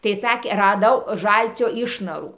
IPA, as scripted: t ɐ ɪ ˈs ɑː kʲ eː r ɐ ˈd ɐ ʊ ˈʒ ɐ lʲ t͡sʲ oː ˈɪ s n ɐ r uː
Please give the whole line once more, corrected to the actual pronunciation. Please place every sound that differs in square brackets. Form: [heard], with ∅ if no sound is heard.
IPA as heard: t ɐ ɪ ˈs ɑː kʲ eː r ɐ ˈd ɐ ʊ ˈʒ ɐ lʲ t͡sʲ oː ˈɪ [ʃ] n ɐ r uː

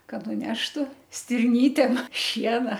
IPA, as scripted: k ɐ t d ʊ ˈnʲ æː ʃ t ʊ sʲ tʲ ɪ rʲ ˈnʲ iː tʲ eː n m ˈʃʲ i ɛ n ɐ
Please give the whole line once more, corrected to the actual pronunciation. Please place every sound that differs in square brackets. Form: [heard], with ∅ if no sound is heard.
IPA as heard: k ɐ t [n] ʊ ˈnʲ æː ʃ t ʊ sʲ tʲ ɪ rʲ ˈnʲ iː tʲ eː [∅] m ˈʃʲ i ɛ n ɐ

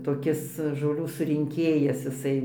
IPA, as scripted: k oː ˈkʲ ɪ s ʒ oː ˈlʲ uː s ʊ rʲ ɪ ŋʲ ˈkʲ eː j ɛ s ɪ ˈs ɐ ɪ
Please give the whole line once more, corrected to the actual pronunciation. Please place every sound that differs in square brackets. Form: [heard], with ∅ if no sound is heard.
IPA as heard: [t] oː ˈkʲ ɪ s ʒ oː ˈlʲ uː s ʊ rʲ ɪ ŋʲ ˈkʲ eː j ɛ s ɪ ˈs ɐ ɪ

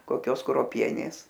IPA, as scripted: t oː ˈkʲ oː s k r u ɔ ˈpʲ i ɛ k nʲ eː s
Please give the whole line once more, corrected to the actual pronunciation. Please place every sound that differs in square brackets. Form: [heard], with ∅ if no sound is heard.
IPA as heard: [k] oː ˈkʲ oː s k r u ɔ ˈpʲ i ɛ [∅] nʲ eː s

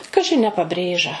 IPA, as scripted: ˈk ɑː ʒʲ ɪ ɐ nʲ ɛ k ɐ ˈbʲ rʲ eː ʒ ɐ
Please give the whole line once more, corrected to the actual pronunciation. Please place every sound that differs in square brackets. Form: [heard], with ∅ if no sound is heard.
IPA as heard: ˈk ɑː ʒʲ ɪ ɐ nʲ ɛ [p] ɐ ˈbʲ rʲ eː ʒ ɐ

